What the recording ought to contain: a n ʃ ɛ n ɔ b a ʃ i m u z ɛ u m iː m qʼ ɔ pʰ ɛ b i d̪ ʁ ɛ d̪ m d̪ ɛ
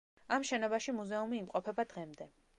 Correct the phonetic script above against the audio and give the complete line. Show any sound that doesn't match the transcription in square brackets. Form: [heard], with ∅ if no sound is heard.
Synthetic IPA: a [m] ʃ ɛ n ɔ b a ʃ i m u z ɛ u m iː m qʼ ɔ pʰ ɛ b [a] d̪ ʁ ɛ [∅] m d̪ ɛ